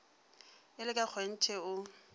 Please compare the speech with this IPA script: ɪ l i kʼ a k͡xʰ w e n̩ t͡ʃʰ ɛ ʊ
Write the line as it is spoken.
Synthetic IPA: ɪ l ɪ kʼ a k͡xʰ w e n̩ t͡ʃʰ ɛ ʊ